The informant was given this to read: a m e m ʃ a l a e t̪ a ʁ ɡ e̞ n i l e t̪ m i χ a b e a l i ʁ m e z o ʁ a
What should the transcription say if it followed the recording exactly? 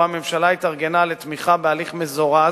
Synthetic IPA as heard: a m e m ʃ a l a i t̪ a ʁ ɡ e̞ n a l e t̪ m i χ a b e a l i χ m e z o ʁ a